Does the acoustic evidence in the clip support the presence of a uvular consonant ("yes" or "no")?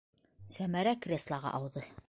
yes